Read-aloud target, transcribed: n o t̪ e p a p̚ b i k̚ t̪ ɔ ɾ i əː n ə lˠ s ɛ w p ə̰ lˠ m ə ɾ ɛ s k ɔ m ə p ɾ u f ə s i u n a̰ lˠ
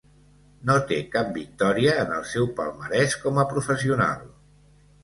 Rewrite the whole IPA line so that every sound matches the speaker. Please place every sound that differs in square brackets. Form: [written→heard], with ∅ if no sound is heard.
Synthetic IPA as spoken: n o t̪ e [p→k] a p̚ b i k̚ t̪ ɔ ɾ i əː n ə lˠ s ɛ w p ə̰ lˠ m ə ɾ ɛ s k ɔ m ə p ɾ u f ə s i u n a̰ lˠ